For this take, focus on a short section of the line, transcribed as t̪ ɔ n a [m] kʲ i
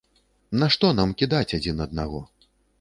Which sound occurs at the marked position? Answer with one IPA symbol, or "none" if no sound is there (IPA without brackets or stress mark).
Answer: m